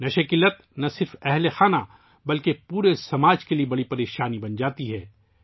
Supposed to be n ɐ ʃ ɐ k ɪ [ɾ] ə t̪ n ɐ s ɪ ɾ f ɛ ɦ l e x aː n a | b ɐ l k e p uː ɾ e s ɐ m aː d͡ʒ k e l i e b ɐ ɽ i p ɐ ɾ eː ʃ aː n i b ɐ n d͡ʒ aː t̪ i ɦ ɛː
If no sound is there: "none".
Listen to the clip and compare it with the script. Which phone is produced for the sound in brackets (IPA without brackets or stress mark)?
l